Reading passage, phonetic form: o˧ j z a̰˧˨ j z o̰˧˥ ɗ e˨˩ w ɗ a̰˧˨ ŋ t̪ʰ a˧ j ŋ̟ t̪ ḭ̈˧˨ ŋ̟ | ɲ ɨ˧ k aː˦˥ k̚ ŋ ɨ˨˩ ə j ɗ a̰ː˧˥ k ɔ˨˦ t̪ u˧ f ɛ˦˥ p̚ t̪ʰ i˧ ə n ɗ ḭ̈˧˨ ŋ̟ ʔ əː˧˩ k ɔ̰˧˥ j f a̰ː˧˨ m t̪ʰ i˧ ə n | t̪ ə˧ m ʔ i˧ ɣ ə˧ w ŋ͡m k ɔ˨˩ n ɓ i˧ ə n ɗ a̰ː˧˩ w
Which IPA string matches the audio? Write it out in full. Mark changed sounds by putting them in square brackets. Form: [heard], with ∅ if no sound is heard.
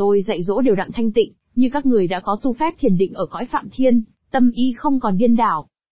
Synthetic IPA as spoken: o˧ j z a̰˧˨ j z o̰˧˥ ɗ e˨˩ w ɗ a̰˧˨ ŋ t̪ʰ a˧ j ŋ̟ t̪ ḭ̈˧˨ ŋ̟ | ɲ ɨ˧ k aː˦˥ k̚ ŋ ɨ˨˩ ə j ɗ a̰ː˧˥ k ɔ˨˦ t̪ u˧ f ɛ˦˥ p̚ t̪ʰ [i˨˩] ə n ɗ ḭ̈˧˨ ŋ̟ ʔ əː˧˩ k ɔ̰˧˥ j f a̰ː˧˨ m t̪ʰ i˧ ə n | t̪ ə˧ m ʔ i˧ [x] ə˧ w ŋ͡m k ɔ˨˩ n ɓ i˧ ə n ɗ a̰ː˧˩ w